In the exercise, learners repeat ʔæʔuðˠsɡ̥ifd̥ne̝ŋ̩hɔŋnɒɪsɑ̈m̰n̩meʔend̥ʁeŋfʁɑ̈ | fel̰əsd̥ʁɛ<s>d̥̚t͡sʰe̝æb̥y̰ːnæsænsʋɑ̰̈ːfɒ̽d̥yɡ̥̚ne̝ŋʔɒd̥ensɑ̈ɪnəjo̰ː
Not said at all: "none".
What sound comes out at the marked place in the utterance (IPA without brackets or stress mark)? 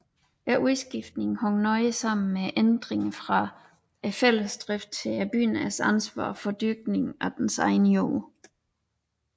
f